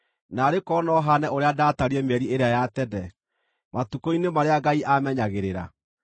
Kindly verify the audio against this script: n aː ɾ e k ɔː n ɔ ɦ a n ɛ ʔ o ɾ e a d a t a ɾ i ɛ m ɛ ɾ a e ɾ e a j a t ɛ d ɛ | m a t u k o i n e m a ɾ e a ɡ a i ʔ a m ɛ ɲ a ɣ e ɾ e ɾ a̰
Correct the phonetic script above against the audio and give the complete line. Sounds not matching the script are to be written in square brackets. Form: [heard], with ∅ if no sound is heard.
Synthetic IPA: n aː ɾ e k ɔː n ɔ ɦ a n ɛ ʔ o ɾ e a d a t a ɾ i ɛ m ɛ ɾ [i] e ɾ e a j a t ɛ d ɛ | m a t u k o i n e m a ɾ e a ɡ a i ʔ a m ɛ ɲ a ɣ e ɾ e ɾ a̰